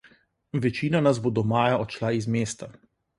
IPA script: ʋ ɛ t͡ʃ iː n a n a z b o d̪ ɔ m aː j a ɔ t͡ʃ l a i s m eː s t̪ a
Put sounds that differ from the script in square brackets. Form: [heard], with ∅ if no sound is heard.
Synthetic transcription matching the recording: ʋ ɛ t͡ʃ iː n a n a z b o d̪ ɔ m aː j a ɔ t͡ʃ l a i [z] m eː s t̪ a